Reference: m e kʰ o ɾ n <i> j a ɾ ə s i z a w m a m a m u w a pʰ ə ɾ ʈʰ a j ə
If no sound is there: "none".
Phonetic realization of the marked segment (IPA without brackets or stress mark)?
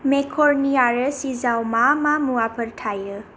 i